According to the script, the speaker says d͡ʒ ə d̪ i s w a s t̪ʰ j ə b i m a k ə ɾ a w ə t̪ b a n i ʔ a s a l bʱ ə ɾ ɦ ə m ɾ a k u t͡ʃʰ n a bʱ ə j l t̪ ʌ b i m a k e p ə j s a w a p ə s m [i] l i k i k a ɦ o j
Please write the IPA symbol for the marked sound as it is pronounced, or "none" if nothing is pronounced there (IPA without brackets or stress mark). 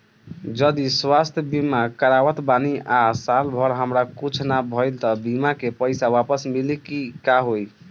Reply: i